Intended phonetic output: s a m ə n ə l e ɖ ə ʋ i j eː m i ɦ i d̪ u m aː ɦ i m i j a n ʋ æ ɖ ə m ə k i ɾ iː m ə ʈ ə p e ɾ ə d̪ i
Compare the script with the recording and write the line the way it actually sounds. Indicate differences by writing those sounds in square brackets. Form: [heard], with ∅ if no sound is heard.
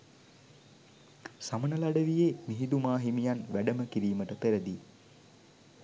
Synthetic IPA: s a m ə n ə l [a] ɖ ə ʋ i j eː m i ɦ i d̪ u m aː ɦ i m i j a n ʋ æ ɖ ə m ə k i ɾ iː m ə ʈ ə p e ɾ ə d̪ i